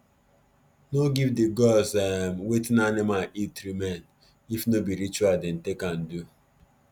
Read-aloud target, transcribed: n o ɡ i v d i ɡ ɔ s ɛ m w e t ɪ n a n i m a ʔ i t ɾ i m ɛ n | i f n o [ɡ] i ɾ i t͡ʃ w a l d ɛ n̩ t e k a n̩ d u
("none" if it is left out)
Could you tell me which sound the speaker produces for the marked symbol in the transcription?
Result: b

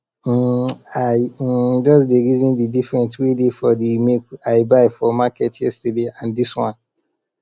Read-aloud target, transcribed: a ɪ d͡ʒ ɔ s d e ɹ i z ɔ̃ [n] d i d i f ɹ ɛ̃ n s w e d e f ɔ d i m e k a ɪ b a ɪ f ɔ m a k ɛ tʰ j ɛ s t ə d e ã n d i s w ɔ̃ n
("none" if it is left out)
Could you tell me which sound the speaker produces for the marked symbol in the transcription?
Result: n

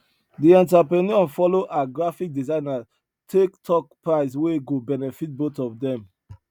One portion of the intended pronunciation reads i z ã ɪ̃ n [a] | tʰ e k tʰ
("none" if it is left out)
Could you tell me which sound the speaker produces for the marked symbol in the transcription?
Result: a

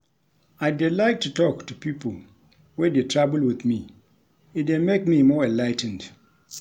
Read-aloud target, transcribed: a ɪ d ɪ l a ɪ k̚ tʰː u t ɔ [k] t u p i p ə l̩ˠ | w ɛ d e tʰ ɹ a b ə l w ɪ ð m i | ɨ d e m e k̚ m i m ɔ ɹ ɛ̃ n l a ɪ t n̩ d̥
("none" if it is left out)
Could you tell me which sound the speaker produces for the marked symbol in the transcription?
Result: k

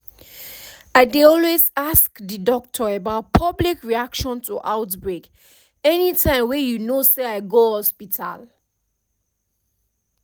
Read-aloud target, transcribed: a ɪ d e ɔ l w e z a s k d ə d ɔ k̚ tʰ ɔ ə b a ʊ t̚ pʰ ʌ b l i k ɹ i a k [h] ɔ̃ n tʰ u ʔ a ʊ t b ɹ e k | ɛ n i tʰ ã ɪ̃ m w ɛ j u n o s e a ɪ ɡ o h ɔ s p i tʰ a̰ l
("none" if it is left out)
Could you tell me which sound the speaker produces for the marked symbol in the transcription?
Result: ʃ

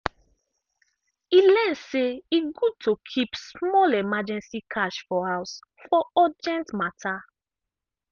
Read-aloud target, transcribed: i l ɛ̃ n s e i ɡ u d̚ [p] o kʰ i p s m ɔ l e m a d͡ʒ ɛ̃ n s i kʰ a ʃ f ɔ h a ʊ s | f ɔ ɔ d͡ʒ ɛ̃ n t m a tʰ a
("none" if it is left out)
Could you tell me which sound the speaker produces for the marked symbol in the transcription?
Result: t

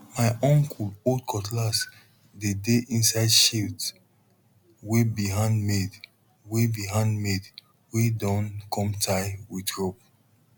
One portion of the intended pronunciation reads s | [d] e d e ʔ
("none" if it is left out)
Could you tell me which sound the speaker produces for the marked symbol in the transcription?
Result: d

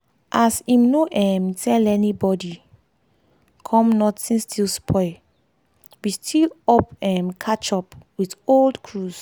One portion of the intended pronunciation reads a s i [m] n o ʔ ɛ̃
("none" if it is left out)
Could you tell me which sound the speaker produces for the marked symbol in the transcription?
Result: m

